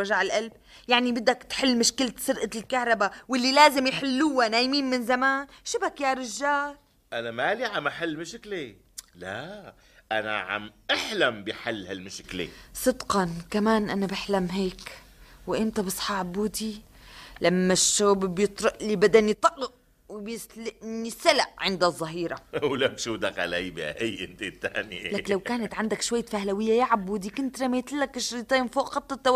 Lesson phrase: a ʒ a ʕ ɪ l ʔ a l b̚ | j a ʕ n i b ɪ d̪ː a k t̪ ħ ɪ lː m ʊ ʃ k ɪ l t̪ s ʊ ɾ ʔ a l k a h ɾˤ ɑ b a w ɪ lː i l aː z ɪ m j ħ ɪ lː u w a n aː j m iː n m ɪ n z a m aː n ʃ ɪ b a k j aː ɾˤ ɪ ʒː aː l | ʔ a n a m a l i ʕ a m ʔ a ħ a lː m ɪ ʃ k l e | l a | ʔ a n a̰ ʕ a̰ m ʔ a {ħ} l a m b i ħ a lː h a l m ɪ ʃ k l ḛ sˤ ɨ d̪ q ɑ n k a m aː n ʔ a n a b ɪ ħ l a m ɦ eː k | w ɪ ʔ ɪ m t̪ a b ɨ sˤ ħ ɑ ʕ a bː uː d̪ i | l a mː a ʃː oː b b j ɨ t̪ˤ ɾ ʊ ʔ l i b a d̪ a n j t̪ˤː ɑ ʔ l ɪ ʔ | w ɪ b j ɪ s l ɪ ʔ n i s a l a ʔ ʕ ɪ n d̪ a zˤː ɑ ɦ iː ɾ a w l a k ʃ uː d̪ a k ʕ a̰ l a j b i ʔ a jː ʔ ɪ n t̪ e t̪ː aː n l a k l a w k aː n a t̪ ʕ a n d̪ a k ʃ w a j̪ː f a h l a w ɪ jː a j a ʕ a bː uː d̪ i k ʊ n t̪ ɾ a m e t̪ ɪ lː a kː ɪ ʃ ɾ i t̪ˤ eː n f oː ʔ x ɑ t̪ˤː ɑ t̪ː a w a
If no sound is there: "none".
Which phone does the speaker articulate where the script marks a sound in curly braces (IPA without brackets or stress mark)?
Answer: ħ